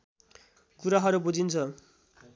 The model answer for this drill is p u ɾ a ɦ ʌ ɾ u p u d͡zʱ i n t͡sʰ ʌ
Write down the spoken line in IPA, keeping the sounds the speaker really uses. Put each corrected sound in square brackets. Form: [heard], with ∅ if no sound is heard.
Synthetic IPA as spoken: [k] u ɾ a ɦ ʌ ɾ u [b] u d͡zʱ i n t͡sʰ ʌ

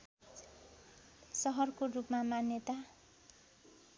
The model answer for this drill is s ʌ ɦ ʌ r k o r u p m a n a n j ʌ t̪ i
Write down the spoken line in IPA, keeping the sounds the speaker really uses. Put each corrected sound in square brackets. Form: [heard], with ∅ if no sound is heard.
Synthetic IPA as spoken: s ʌ ɦ ʌ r k o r u p m a [m] a n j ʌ t̪ [a]

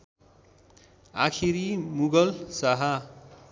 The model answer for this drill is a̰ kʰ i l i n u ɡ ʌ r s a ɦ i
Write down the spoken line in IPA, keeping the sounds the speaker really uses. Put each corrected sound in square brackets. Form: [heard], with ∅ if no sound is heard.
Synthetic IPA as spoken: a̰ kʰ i [ɾ] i [m] u ɡ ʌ [l] s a ɦ [a]

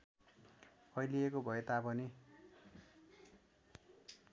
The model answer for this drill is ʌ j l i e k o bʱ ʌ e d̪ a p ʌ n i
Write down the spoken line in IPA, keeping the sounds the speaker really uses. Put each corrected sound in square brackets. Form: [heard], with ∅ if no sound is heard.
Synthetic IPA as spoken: ʌ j l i e k o bʱ ʌ e [t̪] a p ʌ n i

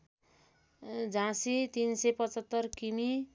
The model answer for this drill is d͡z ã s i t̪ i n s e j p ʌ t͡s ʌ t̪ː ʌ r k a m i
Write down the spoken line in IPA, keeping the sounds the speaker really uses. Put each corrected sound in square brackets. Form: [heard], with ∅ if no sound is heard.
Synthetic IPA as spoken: d͡z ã s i t̪ i n s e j p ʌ t͡s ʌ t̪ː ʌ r k [i] m i

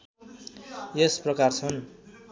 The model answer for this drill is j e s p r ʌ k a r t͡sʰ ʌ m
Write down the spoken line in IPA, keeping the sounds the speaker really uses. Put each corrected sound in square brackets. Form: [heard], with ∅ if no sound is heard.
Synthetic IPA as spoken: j e s p r ʌ k a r t͡sʰ ʌ [n]

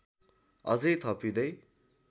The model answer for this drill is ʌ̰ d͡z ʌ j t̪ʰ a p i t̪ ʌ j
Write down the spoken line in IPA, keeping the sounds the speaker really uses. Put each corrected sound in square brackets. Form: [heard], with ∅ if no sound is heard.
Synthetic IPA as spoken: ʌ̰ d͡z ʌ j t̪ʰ [ʌ] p i [d̪] ʌ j

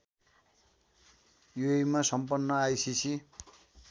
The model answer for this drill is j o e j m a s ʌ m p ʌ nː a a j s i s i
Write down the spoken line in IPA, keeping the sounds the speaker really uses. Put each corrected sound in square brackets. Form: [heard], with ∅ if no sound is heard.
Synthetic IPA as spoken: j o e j m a s ʌ m p ʌ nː [ʌ] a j s i s i

